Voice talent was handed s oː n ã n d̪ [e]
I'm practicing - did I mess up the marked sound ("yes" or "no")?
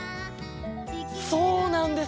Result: no